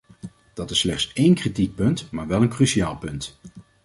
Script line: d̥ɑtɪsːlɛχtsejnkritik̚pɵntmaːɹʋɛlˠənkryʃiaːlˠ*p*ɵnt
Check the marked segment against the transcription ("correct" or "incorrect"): correct